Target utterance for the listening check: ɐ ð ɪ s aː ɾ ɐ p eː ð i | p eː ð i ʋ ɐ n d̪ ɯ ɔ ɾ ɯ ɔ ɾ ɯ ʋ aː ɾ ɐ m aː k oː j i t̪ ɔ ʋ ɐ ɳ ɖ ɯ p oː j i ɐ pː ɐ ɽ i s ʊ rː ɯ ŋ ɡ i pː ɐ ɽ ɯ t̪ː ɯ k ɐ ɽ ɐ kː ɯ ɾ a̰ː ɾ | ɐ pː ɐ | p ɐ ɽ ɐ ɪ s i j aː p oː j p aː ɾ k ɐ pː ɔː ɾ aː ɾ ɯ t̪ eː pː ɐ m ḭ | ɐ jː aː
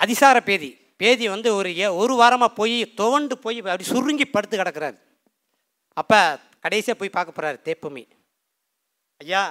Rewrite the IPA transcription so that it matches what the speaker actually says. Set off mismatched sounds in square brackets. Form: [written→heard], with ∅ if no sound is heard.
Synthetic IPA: ɐ ð ɪ s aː ɾ ɐ p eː ð i | p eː ð i ʋ ɐ n d̪ ɯ ɔ ɾ ɯ ɔ ɾ ɯ ʋ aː ɾ ɐ m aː [k→p] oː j i t̪ ɔ ʋ ɐ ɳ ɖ ɯ p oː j i ɐ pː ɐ ɽ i s ʊ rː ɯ ŋ ɡ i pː ɐ ɽ ɯ t̪ː ɯ k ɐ ɽ ɐ kː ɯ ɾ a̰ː ɾ | ɐ pː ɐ | [p→k] ɐ ɽ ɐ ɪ s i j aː p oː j p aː ɾ k ɐ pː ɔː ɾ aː ɾ ɯ t̪ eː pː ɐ m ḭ | ɐ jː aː